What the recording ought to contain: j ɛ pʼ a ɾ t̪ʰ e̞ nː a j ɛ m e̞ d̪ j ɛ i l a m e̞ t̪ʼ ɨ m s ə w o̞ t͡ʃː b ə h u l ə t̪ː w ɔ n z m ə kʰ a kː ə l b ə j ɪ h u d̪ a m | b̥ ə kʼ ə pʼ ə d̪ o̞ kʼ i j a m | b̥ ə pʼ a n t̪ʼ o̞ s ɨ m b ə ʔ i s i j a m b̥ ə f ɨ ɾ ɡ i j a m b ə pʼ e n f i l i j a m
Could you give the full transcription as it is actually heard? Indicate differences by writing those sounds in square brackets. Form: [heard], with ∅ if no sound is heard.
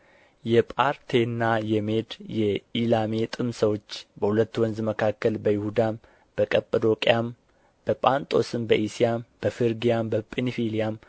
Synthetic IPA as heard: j ɛ pʼ a ɾ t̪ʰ e̞ nː a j ɛ m e̞ d̪ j ɛ i l a m e̞ t̪ʼ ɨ m s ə w o̞ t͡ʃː b ə h u l ə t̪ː w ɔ n z m ə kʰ a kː ə l b ə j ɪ h u d̪ a m | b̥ ə kʼ ə pʼ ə d̪ o̞ kʼ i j a m | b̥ ə pʼ a n t̪ʼ o̞ s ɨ m b ə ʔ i s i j a m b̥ ə f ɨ ɾ ɡ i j a m b ə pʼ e n f i l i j a m